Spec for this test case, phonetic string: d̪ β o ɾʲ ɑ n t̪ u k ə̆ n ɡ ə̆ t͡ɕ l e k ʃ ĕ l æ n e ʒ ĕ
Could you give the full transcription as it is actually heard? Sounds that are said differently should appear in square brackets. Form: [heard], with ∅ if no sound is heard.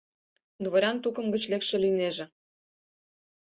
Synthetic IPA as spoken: d̪ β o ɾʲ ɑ n t̪ u k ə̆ [m] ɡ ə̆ t͡ɕ l e k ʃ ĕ l [i] n e ʒ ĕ